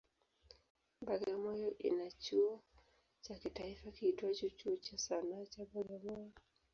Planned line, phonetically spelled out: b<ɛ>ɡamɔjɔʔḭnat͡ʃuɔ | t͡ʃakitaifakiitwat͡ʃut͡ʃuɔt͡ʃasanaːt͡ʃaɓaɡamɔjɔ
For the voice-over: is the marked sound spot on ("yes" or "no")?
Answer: no